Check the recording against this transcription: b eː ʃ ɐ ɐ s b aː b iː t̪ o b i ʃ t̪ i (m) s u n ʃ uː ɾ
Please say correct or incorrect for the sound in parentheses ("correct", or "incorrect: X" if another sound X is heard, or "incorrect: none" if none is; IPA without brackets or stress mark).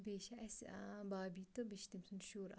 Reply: correct